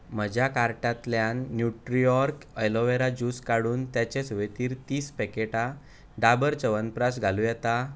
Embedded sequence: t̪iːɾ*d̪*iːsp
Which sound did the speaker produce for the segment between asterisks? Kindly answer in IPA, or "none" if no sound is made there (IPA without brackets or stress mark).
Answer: t̪